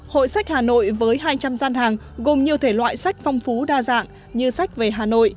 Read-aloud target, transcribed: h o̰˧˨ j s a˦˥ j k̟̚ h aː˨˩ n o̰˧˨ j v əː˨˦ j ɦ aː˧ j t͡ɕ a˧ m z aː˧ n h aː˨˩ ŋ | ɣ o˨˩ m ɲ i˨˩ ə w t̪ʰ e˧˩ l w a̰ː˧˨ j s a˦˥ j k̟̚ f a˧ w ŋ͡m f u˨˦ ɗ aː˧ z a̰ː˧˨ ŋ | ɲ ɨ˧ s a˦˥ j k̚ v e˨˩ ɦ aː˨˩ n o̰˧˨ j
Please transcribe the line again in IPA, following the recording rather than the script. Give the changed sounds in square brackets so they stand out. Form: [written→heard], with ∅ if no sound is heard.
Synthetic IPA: h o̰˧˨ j s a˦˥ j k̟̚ h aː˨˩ n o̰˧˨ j v əː˨˦ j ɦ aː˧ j t͡ɕ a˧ m z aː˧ n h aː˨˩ ŋ | ɣ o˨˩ m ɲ i˨˩ ə w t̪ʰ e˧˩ l w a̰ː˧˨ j s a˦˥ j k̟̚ f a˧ w ŋ͡m f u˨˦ ɗ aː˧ z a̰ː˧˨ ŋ | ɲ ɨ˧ s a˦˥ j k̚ v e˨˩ ɦ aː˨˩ n o̰˧˨ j

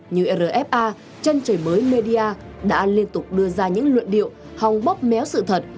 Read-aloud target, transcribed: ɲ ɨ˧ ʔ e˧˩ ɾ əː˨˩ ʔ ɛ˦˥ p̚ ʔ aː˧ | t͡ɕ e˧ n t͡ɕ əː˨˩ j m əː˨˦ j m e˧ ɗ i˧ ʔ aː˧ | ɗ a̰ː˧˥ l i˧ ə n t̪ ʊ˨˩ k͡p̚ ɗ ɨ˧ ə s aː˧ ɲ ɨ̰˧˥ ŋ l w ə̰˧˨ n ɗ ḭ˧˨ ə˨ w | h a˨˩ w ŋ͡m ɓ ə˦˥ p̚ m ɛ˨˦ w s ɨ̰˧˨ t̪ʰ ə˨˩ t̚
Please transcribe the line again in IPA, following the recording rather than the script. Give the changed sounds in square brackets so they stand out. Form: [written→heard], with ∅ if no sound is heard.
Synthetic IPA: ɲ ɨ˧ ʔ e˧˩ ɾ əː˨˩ ʔ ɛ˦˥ p̚ ʔ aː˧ | t͡ɕ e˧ n t͡ɕ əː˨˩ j m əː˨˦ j m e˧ ɗ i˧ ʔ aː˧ | ɗ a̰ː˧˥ l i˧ ə n t̪ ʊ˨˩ k͡p̚ ɗ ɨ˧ ə [s→z] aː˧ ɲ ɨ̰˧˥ ŋ l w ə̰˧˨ n ɗ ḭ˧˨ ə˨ w | h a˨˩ w ŋ͡m ɓ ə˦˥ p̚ m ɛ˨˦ w s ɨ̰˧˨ t̪ʰ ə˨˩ t̚

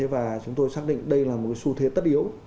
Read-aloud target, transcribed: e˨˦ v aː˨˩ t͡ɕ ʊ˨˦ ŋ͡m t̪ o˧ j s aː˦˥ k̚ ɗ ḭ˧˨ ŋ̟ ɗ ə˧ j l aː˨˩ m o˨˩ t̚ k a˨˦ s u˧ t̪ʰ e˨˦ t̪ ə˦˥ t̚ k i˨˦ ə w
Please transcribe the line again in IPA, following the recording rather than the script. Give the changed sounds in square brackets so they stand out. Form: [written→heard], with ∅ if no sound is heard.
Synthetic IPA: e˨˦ v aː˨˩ t͡ɕ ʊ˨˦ ŋ͡m t̪ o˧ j s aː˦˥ k̚ ɗ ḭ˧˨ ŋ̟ ɗ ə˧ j l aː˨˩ m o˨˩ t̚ k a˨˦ s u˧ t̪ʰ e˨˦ t̪ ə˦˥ t̚ [k→ʔ] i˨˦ ə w

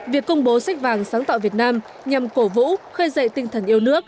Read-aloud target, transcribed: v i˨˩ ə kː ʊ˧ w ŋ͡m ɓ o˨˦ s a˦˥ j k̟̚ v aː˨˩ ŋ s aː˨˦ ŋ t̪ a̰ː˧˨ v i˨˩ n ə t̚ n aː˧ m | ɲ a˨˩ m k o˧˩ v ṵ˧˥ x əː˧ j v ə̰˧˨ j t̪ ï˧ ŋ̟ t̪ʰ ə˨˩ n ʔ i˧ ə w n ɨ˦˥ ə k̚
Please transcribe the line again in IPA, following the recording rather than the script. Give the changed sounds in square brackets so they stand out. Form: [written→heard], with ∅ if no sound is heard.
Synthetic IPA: v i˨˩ ə kː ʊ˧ w ŋ͡m ɓ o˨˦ s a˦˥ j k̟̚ v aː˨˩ ŋ s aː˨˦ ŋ t̪ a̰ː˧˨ v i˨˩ [n→∅] ə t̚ n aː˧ m | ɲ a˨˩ m k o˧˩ v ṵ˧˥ x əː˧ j [v→z] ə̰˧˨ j t̪ ï˧ ŋ̟ t̪ʰ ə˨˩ n ʔ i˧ ə w n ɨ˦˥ ə k̚

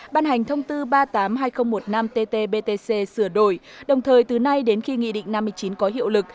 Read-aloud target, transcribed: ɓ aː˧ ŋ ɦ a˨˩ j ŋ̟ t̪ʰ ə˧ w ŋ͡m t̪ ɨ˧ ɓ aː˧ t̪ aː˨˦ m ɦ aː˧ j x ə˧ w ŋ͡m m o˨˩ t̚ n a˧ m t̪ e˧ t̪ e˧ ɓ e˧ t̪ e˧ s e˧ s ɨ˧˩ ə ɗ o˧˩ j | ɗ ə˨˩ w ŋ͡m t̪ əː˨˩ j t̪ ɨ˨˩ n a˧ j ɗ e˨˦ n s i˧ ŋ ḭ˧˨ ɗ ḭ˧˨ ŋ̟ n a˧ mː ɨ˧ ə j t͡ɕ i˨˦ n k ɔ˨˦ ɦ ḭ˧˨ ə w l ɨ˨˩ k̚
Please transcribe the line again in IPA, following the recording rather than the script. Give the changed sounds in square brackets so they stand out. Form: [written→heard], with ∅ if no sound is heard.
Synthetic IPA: ɓ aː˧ [ŋ→n] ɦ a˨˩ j ŋ̟ t̪ʰ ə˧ w ŋ͡m t̪ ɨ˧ ɓ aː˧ t̪ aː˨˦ m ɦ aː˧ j x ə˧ w ŋ͡m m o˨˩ t̚ n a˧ m t̪ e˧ t̪ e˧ ɓ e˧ t̪ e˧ s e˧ s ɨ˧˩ ə ɗ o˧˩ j | ɗ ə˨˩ w ŋ͡m [t̪→t̪ʰ] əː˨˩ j t̪ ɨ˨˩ n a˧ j ɗ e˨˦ n [s→x] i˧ ŋ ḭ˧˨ ɗ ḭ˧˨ ŋ̟ n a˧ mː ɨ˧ ə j t͡ɕ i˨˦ n k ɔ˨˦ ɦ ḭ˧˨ ə w l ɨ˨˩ k̚

